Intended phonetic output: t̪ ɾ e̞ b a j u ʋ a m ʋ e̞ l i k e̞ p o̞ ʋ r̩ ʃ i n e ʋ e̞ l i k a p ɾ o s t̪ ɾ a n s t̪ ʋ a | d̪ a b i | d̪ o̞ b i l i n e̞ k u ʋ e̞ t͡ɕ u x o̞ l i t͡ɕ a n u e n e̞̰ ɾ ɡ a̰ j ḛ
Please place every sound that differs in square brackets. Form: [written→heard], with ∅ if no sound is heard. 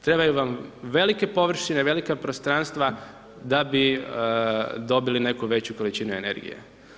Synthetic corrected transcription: t̪ ɾ e̞ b a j u ʋ a m ʋ e̞ l i k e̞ p o̞ ʋ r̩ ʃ i n e ʋ e̞ l i k a p ɾ o s t̪ ɾ a n s t̪ ʋ a | d̪ a b i | d̪ o̞ b i l i n e̞ k u ʋ e̞ t͡ɕ u [x→k] o̞ l i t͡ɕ [a→i] n u e n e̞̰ ɾ ɡ [a̰→ḭ] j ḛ